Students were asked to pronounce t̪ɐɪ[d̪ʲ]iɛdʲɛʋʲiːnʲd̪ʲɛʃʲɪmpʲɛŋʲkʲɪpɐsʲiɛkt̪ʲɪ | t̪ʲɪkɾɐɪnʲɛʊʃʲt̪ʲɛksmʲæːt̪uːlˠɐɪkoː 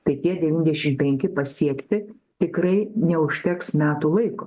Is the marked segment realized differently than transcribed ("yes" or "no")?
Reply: yes